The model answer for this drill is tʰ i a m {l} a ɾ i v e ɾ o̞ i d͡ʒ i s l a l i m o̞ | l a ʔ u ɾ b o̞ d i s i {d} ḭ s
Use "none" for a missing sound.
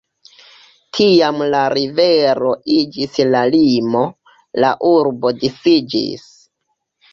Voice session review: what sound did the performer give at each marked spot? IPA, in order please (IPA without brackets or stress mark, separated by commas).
l, d͡ʒ